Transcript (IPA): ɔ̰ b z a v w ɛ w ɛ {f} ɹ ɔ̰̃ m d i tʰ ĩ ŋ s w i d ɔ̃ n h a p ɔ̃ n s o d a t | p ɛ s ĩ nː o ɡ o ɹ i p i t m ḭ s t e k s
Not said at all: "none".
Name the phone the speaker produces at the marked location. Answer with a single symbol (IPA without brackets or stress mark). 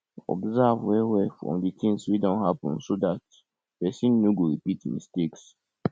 f